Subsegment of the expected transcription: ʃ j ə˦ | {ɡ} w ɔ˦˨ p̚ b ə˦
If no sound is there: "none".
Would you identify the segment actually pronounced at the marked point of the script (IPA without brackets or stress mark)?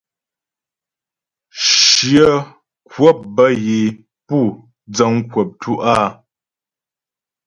k